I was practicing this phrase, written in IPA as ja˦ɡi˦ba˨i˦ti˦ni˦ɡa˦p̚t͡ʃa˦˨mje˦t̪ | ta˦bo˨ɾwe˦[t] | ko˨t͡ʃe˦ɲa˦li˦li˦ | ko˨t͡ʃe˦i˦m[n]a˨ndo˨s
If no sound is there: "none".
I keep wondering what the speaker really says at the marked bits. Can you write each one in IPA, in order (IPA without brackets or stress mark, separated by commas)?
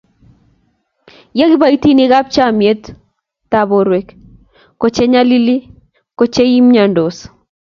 k, ɲ